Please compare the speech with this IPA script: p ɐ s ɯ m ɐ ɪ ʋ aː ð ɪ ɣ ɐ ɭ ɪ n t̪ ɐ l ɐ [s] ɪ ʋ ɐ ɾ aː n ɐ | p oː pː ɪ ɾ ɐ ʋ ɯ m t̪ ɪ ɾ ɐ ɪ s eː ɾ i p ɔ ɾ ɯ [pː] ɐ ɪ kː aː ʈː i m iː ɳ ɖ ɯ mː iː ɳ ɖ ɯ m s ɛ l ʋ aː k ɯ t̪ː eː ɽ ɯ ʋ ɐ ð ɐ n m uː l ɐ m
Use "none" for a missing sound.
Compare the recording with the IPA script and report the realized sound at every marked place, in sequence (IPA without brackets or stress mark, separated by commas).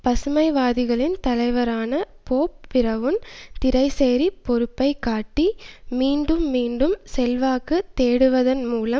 none, pː